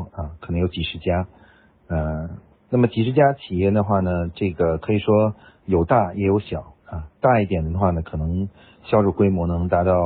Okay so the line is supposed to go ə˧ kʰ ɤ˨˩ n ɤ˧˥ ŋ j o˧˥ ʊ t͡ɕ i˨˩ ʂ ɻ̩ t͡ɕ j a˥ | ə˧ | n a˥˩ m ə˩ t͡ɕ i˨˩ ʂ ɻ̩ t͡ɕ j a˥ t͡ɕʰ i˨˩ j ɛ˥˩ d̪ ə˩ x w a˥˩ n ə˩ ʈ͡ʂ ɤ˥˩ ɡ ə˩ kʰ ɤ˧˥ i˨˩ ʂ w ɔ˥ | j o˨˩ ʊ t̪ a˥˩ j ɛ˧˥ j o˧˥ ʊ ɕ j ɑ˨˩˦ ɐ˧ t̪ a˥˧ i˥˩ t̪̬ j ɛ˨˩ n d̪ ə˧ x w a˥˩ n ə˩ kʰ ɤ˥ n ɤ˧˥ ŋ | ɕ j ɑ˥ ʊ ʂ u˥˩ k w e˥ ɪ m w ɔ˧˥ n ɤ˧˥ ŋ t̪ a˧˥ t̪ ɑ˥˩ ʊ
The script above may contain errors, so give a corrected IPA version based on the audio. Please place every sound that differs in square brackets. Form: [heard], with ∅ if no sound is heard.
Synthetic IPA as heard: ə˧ kʰ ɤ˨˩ n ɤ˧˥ ŋ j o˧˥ ʊ t͡ɕ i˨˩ ʂ ɻ̩ t͡ɕ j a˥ | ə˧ | n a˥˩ m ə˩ t͡ɕ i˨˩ ʂ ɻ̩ t͡ɕ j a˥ t͡ɕʰ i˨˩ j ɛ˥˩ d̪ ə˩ x w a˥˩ n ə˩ ʈ͡ʂ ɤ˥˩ ɡ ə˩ kʰ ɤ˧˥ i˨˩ ʂ w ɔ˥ | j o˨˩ ʊ t̪ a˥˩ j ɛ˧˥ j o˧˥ ʊ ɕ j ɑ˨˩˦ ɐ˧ t̪ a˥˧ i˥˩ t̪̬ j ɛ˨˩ n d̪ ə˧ x w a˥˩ n ə˩ kʰ [ɤ˨˩] n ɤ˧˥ ŋ | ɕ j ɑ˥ ʊ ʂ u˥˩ k w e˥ ɪ m w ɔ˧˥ n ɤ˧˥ ŋ t̪ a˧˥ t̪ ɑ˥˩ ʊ